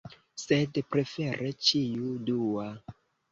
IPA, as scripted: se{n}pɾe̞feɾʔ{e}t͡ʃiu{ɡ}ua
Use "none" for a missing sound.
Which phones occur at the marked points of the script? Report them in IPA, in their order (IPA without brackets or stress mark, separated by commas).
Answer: d, e, d